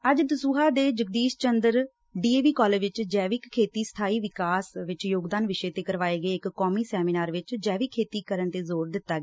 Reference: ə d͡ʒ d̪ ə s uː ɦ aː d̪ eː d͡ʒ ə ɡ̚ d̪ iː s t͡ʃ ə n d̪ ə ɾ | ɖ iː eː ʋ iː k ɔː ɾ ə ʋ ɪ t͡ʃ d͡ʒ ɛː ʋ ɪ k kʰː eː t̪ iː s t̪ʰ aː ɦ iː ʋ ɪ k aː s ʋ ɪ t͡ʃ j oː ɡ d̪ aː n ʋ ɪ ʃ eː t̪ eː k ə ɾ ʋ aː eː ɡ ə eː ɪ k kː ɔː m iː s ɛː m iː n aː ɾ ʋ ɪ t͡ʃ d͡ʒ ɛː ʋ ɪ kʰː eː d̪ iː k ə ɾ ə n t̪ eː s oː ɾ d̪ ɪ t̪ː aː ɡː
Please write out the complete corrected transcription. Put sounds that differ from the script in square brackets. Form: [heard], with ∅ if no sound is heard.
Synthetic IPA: ə d͡ʒ d̪ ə s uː ɦ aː d̪ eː d͡ʒ ə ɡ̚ d̪ iː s t͡ʃ ə n d̪ ə ɾ | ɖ iː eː ʋ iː k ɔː [l] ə ʋ ɪ t͡ʃ d͡ʒ ɛː ʋ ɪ k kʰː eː t̪ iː s t̪ʰ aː [∅] iː ʋ ɪ k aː s ʋ ɪ t͡ʃ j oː ɡ d̪ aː n ʋ ɪ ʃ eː t̪ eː k ə ɾ ʋ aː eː ɡ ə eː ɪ k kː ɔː m iː s ɛː m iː n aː ɾ ʋ ɪ t͡ʃ d͡ʒ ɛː ʋ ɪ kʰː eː [t̪] iː k ə ɾ ə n t̪ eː [z] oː ɾ d̪ ɪ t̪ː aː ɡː